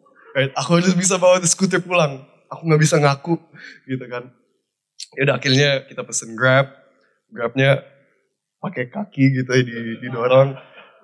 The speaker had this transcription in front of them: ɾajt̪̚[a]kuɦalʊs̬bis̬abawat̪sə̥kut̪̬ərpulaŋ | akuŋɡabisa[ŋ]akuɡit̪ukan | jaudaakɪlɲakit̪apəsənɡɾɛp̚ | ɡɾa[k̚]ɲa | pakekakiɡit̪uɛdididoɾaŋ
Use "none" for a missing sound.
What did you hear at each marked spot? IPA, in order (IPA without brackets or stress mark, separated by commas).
a, ŋ, p̚